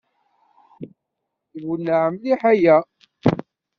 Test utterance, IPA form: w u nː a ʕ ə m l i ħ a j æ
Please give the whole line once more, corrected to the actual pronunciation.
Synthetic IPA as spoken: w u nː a ʕ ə m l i ħ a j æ